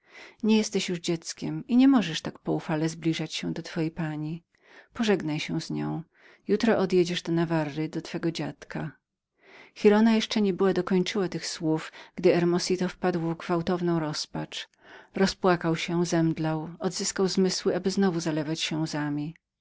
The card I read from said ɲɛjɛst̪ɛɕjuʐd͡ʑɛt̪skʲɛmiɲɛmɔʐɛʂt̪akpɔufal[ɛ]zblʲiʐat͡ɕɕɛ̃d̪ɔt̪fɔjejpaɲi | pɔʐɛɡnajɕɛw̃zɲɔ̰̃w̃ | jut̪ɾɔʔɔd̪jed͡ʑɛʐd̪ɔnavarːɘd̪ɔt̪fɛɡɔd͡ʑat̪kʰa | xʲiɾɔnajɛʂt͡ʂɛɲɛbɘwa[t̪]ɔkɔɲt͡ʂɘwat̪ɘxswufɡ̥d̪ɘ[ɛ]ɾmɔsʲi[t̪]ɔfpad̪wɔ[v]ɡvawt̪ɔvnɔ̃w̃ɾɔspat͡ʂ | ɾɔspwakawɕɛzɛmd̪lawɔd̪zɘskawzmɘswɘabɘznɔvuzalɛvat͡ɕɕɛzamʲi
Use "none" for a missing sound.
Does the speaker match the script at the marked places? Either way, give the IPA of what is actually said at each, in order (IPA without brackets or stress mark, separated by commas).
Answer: ɛ, d̪, ɛ, t̪, v